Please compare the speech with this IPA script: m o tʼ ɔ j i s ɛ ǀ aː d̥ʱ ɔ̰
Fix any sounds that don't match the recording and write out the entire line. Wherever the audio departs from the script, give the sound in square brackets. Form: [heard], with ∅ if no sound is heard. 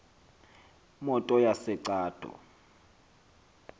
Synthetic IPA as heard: m [ɔ] tʼ ɔ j [a] s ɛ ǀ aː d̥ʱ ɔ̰